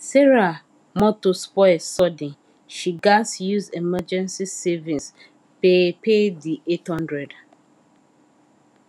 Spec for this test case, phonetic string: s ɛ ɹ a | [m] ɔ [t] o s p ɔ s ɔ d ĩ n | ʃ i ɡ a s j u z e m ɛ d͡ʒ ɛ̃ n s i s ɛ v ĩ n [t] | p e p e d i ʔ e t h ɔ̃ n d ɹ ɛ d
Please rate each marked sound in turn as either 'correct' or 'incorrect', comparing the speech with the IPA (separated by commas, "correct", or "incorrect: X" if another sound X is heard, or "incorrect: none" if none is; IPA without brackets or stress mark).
correct, correct, incorrect: s